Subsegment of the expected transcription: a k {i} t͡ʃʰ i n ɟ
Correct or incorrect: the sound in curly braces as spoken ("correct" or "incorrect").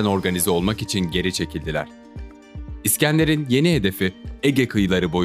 correct